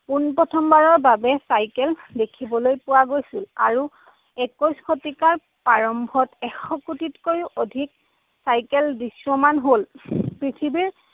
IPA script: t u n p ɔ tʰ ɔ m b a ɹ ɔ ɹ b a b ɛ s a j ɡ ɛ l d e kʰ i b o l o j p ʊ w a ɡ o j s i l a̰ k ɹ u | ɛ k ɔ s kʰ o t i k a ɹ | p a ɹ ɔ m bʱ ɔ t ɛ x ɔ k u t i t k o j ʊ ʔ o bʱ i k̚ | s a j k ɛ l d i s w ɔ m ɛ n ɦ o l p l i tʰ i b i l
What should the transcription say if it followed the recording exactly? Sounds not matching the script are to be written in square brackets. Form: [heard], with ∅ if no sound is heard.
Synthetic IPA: [p] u n p ɔ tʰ ɔ m b a ɹ ɔ ɹ b a b ɛ s a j [k] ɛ l d e kʰ i b [ɔ] l o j p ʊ w a ɡ o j s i l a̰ [∅] ɹ u | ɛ k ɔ s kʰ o t i k a ɹ | p a ɹ ɔ m bʱ ɔ t ɛ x ɔ k u t i t k o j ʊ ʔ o [dʱ] i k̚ | s a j k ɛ l d i s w ɔ m [a] n ɦ o l p [ɹ] i tʰ i b i [ɹ]